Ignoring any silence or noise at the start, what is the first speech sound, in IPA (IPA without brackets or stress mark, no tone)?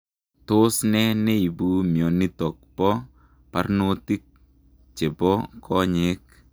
t